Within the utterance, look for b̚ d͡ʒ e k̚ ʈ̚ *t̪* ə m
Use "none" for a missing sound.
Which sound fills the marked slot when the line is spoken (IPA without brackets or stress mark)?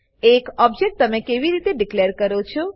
t̪